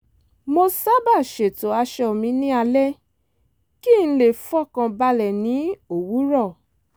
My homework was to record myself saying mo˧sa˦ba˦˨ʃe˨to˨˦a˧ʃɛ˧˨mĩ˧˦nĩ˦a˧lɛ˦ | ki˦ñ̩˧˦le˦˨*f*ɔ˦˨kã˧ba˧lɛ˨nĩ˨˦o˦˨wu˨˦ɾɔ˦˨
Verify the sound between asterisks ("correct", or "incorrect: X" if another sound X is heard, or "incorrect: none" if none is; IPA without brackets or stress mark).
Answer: correct